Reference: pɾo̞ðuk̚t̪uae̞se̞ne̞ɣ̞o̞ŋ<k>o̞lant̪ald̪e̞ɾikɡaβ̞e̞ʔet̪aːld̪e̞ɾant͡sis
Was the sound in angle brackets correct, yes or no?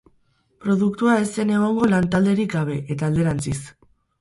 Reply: no